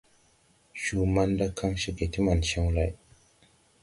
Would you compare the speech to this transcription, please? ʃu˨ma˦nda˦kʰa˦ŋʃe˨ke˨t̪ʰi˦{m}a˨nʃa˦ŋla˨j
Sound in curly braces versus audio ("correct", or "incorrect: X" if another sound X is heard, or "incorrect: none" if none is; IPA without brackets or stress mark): correct